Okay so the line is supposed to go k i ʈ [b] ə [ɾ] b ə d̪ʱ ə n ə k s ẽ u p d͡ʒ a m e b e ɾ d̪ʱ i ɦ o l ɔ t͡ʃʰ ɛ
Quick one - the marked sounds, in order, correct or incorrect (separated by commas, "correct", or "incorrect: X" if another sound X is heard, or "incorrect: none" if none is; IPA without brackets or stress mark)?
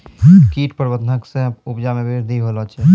incorrect: p, correct